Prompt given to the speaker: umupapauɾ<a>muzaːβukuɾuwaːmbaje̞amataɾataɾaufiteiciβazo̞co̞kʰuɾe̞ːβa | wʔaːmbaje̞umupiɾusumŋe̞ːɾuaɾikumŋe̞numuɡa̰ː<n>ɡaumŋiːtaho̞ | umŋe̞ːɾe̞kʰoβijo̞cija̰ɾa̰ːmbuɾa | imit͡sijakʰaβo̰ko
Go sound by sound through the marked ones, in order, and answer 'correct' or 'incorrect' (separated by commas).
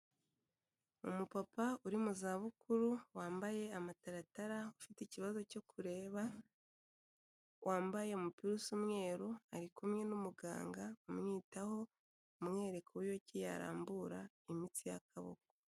incorrect, incorrect